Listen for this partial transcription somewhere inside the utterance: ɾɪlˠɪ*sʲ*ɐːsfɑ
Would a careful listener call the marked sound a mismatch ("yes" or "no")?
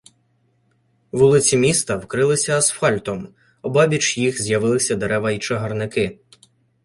no